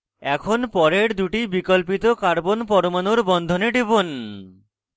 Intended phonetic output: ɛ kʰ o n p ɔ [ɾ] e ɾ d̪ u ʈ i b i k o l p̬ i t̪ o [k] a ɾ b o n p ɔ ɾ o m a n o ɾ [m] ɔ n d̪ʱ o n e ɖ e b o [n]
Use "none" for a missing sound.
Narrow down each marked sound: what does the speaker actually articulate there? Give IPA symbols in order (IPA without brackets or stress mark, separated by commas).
ɾ, k, b, n